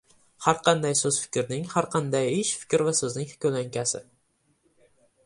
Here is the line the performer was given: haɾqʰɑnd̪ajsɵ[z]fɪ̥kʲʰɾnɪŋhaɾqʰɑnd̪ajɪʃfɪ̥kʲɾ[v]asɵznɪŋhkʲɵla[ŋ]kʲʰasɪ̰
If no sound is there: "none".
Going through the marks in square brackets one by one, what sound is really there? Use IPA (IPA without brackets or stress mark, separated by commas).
z, v, ŋ